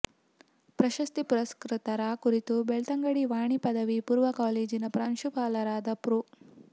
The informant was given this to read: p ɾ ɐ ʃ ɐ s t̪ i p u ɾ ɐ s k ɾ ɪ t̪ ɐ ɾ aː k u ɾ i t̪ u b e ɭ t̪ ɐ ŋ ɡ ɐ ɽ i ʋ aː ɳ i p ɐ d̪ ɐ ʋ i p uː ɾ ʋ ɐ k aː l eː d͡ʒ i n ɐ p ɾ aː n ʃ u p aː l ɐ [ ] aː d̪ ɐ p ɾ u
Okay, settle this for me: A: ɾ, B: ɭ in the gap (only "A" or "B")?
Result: A